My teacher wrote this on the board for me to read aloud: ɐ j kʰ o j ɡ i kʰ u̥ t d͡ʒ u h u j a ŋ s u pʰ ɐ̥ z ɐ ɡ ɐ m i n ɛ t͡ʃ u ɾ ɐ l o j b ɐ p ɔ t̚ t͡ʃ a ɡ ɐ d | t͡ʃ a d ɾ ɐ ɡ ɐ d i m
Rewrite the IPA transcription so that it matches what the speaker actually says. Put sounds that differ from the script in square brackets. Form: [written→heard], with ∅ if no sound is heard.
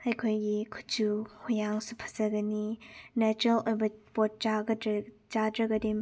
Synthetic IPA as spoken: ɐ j kʰ o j ɡ i kʰ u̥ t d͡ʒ u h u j a ŋ s u pʰ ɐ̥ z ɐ ɡ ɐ [m→n] i n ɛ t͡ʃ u ɾ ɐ l o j b ɐ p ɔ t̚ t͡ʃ a ɡ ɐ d | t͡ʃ a d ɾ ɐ ɡ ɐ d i m

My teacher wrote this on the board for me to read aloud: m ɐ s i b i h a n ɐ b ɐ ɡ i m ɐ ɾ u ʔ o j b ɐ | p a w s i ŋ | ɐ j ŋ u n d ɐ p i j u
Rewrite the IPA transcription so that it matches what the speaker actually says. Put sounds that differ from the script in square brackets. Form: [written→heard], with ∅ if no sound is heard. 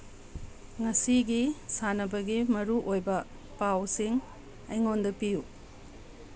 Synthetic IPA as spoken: [m→ŋ] ɐ s i [b→ɡ] i [h→s] a n ɐ b ɐ ɡ i m ɐ ɾ u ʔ o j b ɐ | p a w s i ŋ | ɐ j ŋ [u→o] n d ɐ p i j u

